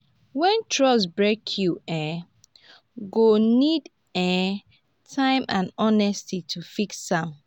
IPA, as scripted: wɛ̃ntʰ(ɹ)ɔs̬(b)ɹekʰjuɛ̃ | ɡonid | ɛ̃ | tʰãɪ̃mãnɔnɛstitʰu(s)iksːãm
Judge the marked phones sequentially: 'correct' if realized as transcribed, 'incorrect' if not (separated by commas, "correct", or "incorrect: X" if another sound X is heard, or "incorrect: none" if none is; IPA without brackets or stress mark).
correct, correct, incorrect: f